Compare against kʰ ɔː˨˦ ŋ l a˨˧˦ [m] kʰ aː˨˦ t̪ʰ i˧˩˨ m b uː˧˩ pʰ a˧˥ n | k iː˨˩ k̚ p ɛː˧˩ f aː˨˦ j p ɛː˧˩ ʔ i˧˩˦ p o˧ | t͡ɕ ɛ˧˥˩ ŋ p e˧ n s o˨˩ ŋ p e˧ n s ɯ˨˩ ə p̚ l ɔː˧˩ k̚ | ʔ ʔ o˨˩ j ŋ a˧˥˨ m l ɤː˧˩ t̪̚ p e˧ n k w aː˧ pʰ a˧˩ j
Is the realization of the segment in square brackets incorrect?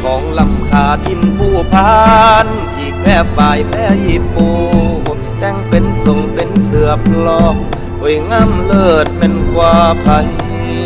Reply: no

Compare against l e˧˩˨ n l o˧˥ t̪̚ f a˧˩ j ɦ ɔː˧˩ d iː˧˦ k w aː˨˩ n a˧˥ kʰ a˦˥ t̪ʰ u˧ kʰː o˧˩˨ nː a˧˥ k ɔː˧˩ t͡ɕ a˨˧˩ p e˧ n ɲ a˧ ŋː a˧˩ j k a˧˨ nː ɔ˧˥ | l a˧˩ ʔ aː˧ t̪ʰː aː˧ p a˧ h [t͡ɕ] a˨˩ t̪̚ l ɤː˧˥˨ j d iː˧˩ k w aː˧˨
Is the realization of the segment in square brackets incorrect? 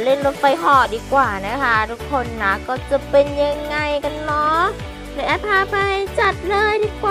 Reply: no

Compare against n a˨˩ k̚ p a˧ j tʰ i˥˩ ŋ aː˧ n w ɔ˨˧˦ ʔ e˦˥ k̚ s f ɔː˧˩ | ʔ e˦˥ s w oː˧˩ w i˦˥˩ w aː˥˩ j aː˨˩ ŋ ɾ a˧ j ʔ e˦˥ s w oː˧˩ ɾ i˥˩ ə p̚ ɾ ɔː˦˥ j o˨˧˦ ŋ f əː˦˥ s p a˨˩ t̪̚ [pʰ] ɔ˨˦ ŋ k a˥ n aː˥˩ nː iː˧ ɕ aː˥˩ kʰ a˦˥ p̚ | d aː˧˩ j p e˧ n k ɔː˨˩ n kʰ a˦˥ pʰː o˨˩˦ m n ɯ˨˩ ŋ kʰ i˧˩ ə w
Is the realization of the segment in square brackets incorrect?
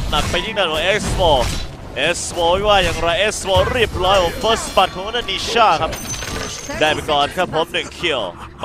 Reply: yes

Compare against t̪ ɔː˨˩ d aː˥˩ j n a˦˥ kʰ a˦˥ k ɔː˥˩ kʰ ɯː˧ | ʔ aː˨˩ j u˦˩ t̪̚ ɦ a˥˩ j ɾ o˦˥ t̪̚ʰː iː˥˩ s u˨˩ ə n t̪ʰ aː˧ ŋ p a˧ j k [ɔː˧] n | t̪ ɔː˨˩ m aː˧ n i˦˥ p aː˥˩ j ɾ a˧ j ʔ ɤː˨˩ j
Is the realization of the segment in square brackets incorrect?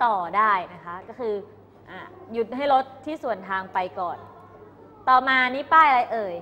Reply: yes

